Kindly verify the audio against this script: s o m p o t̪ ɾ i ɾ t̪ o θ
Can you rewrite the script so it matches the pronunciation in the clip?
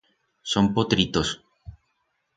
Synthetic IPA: s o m p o t̪ ɾ i t̪ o s